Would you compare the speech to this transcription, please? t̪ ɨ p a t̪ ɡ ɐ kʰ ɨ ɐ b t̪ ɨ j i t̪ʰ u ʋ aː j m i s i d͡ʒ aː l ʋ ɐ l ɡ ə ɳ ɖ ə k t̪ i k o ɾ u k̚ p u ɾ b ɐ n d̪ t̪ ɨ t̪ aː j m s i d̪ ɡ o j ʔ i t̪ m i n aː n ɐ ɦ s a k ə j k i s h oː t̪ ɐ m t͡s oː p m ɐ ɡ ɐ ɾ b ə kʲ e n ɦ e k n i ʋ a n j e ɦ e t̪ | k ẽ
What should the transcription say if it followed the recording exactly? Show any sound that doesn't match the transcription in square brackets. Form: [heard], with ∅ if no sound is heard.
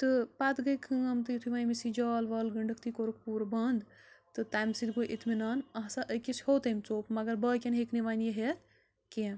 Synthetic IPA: t̪ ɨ p a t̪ ɡ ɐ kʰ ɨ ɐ [m] t̪ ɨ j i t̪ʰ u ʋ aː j m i s i d͡ʒ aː l ʋ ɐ l ɡ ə ɳ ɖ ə k t̪ i k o ɾ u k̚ p u ɾ b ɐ n d̪ t̪ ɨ t̪ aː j m s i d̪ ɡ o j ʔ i t̪ m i n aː n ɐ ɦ s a [ʔ] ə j k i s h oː t̪ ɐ m t͡s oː p m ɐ ɡ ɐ ɾ b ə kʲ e n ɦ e k n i ʋ a n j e ɦ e t̪ | k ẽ